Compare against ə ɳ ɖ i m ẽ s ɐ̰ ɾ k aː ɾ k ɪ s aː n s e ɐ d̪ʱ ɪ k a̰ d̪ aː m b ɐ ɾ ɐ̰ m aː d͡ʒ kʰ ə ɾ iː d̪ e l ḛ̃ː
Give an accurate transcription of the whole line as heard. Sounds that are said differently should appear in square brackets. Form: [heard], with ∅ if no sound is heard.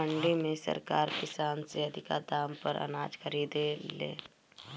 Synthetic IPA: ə ɳ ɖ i m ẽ s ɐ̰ ɾ k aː ɾ k ɪ s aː n s e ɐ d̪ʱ ɪ k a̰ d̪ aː m [p] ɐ ɾ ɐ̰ [n] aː d͡ʒ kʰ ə ɾ iː d̪ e l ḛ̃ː